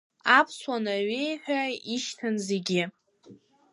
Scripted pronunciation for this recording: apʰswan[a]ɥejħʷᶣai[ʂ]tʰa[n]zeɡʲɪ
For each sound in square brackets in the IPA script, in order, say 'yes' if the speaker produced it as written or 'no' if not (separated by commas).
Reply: yes, no, yes